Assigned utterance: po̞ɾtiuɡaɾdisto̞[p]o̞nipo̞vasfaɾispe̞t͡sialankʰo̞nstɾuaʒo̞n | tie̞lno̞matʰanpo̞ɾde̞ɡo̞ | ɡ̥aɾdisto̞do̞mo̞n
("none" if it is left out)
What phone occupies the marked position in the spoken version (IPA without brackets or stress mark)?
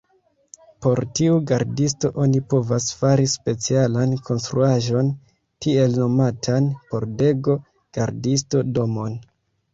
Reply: ʔ